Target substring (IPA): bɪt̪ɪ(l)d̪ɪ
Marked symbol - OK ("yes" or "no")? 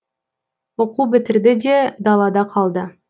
no